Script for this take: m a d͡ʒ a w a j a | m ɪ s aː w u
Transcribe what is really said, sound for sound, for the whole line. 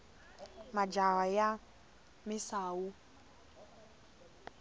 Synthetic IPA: m a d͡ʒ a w a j a | m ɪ s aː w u